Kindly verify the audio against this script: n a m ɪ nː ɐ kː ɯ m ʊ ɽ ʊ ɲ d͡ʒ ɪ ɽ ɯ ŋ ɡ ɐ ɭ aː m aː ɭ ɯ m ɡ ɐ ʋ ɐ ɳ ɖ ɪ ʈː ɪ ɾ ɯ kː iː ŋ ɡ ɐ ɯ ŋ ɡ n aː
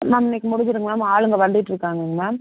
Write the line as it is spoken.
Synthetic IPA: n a m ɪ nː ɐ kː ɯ m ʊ ɽ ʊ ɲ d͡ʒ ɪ ɾ ɯ ŋ ɡ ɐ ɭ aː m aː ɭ ɯ ŋ ɡ ɐ ʋ ɐ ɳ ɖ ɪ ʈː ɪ ɾ ɯ kː aː ŋ ɡ ɐ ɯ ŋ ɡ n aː